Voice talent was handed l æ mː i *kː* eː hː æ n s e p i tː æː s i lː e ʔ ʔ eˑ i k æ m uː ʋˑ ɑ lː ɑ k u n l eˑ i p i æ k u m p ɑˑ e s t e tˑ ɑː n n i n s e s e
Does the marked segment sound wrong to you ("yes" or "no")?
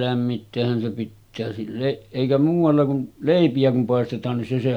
yes